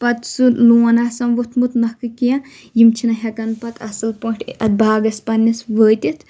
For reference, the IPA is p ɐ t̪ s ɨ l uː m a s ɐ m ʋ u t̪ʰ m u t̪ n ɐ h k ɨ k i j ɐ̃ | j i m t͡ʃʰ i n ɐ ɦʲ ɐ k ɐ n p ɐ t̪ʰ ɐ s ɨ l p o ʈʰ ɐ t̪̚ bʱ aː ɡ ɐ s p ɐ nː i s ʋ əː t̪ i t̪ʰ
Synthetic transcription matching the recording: p ɐ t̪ s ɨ l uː n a s ɐ m ʋ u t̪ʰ m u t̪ n ɐ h k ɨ k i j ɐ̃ | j i m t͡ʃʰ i n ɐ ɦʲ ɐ k ɐ n p ɐ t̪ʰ ɐ s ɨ l p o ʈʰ ɐ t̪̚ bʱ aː ɡ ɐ s p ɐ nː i s ʋ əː t̪ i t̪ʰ